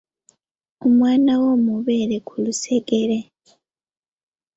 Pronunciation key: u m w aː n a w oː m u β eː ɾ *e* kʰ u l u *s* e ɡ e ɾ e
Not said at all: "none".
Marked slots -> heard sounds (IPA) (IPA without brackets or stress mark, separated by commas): e, s